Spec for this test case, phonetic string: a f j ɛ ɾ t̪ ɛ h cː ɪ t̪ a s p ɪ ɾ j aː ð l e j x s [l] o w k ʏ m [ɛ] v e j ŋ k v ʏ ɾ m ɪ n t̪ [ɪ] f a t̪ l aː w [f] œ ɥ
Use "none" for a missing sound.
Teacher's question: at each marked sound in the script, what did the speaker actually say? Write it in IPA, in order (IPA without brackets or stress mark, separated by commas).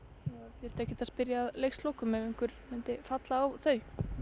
l, ɛ, ɪ, θ